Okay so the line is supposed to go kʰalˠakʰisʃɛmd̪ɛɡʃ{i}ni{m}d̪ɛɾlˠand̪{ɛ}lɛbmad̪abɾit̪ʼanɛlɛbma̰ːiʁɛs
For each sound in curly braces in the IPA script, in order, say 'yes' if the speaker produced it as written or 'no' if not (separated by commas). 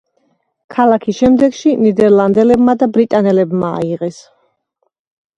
yes, no, yes